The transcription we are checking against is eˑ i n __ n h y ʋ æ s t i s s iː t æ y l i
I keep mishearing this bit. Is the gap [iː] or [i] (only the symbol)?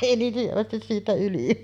iː